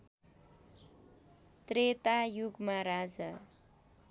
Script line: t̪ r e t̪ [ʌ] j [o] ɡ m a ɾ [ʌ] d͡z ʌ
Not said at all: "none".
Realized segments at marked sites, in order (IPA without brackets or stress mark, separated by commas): a, u, a